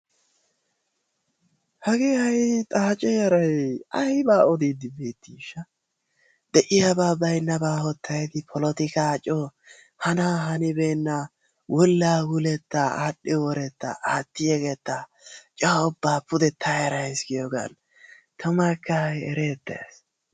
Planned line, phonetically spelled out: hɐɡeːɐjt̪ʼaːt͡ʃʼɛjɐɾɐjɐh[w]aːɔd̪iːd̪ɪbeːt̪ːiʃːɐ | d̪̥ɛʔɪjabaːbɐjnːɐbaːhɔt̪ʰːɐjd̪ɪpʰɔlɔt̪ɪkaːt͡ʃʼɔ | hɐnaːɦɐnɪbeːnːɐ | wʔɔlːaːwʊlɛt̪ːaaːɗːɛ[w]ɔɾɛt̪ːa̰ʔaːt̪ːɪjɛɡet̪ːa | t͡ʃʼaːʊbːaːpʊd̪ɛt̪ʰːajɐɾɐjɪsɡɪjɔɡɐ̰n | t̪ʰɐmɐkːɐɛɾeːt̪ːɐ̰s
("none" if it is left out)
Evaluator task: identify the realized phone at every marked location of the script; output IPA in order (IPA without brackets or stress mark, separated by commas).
b, w